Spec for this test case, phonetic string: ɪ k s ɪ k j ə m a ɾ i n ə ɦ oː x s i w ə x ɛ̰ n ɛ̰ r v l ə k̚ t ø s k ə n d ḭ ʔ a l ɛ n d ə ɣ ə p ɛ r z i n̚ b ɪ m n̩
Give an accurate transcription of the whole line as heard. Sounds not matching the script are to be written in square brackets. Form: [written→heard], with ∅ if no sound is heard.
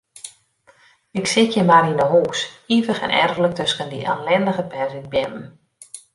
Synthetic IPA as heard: ɪ k s ɪ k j ə m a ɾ i n ə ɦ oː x s i [w→v] ə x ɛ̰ n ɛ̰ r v l ə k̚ t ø s k ə n d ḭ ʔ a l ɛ n d ə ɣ ə p ɛ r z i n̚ b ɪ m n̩